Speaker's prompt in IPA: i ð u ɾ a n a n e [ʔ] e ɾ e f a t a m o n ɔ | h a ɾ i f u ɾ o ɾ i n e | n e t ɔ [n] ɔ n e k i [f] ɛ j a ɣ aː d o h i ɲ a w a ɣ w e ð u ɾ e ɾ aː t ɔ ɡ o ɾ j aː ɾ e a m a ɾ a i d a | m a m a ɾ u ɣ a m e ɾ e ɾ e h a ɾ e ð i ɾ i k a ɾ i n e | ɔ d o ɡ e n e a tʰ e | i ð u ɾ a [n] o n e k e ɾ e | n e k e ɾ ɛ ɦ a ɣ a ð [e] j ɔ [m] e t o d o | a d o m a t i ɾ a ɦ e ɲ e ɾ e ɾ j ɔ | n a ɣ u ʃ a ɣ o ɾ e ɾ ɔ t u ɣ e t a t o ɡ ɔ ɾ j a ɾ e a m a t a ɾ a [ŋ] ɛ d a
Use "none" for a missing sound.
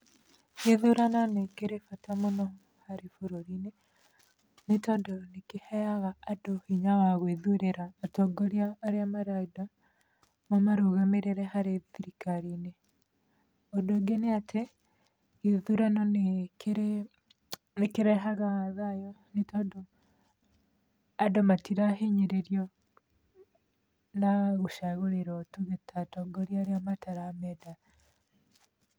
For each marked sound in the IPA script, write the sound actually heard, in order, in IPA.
k, d, h, n, a, n, m

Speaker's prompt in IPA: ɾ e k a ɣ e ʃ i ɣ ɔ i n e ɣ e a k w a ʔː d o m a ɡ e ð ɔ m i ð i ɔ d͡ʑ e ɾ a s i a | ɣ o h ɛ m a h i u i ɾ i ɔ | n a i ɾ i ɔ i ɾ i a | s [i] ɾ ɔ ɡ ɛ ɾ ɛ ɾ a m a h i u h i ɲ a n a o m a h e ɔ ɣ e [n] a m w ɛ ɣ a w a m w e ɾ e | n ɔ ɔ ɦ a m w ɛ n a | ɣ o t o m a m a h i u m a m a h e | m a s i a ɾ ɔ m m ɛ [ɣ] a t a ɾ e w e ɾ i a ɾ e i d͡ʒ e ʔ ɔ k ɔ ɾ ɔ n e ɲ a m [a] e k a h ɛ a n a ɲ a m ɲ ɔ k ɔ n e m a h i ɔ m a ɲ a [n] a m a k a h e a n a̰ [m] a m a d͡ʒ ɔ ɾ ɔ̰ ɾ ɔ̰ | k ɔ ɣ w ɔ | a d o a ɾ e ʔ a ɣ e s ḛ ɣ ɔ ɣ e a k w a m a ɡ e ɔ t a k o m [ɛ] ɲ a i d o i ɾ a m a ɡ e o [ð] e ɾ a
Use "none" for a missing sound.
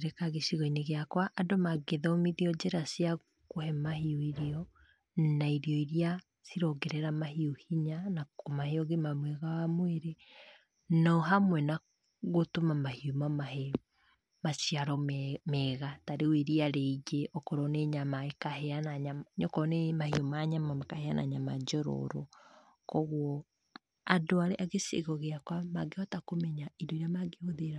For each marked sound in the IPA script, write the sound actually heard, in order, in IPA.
i, m, ɣ, a, m, ɲ, ɛ, ð

